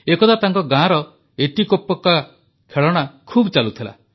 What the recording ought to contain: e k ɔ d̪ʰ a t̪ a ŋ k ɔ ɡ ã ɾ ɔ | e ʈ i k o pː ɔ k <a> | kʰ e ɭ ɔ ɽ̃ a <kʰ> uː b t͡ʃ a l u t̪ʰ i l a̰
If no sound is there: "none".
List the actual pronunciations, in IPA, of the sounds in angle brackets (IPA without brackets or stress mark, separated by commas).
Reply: a, kʰ